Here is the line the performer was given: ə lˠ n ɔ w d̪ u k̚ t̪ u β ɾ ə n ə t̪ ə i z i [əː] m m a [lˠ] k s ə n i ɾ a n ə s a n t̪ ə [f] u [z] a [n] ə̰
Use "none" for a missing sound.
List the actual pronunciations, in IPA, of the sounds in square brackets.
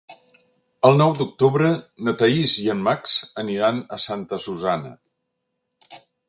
ə, none, s, z, n

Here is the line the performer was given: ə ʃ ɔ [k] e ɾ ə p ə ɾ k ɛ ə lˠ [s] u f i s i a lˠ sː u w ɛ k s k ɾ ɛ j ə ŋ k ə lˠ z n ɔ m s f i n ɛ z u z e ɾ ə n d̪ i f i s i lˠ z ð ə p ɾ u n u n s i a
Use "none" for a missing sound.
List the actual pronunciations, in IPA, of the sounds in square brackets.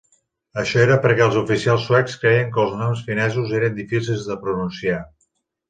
none, z

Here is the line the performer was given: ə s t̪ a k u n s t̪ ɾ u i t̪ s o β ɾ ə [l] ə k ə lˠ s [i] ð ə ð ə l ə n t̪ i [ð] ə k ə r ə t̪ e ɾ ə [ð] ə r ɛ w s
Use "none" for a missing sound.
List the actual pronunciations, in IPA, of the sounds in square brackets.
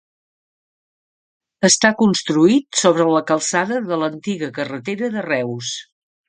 l, a, ɣ, ð

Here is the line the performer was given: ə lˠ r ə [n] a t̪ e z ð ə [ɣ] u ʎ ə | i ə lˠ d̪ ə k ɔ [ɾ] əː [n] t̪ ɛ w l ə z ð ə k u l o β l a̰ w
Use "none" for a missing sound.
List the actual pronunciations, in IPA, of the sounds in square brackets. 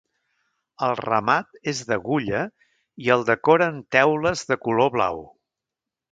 m, ɣ, ɾ, n

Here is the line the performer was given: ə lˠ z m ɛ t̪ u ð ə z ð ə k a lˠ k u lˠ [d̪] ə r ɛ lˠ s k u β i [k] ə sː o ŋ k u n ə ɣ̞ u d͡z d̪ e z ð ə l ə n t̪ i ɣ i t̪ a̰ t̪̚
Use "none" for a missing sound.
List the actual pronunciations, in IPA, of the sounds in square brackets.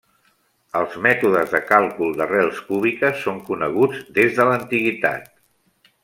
d̪, k

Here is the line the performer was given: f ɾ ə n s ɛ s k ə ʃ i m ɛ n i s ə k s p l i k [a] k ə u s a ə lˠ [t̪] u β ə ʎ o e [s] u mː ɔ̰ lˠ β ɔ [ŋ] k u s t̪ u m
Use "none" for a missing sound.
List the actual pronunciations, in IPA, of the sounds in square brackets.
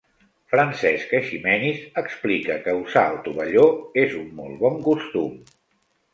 ə, t̪, z, ŋ

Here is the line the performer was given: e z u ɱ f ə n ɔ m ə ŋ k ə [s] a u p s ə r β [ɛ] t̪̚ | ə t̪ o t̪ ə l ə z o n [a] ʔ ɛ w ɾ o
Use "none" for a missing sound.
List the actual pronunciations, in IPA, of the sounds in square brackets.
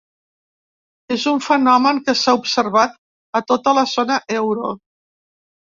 s, a, ə

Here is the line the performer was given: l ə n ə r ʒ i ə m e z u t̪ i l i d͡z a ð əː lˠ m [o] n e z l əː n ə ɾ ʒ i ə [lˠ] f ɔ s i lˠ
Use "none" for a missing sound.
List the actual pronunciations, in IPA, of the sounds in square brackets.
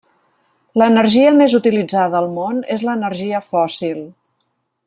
o, none

